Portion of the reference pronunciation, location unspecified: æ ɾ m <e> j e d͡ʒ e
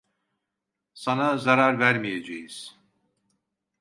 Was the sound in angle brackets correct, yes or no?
no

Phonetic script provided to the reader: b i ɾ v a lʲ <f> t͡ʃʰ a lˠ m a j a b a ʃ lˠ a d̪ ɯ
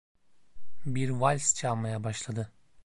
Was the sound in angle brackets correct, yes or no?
no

